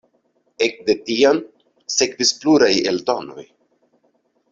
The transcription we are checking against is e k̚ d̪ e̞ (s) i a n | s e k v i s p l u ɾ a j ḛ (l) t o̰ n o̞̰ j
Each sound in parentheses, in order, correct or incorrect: incorrect, correct

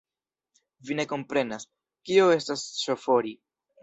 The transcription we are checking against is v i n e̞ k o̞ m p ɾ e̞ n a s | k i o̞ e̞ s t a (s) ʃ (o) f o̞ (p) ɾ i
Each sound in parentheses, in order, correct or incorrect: correct, correct, incorrect

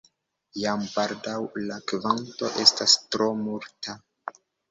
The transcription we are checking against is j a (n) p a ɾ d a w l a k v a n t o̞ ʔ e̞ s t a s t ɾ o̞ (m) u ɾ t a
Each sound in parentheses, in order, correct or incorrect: incorrect, correct

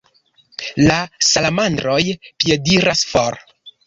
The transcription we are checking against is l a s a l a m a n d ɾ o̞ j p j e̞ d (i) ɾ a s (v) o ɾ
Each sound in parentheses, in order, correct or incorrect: correct, incorrect

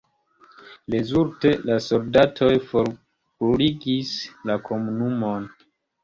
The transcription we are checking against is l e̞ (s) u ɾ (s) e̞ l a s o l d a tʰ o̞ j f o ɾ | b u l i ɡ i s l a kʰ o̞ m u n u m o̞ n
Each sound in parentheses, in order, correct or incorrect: incorrect, incorrect

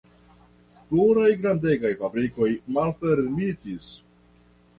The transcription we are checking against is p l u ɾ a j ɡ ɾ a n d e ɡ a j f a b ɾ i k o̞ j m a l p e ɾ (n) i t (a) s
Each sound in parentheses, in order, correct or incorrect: incorrect, incorrect

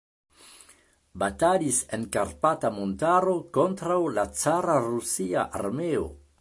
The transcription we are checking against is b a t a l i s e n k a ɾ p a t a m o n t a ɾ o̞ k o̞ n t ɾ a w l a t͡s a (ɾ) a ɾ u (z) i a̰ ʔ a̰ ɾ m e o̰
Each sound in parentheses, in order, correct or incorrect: correct, incorrect

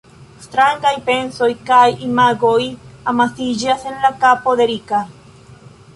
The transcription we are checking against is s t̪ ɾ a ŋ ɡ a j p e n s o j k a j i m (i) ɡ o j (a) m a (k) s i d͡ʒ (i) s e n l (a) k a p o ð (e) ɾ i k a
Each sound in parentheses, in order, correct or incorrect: incorrect, correct, incorrect, incorrect, correct, correct

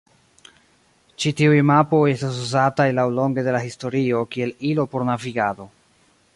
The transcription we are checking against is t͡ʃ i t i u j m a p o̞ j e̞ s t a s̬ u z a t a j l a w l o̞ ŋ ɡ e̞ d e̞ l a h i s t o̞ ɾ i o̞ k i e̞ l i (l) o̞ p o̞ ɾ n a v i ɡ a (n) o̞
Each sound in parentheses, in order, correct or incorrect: correct, incorrect

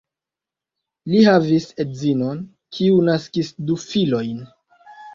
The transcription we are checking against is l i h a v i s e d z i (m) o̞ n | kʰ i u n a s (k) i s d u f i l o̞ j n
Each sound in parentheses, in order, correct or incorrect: incorrect, correct

